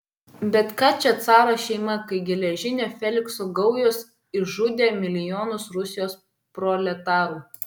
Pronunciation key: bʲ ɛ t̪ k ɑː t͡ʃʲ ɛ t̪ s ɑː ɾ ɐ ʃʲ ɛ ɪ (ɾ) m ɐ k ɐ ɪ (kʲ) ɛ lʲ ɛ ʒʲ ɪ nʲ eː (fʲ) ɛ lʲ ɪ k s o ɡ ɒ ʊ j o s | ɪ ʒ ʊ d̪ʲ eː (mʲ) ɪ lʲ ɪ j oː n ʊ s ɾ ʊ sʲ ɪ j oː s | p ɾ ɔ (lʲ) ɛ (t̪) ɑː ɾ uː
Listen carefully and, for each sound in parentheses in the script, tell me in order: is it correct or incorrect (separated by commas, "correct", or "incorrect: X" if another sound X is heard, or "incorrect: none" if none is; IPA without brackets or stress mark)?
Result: incorrect: none, incorrect: ɡʲ, correct, correct, correct, correct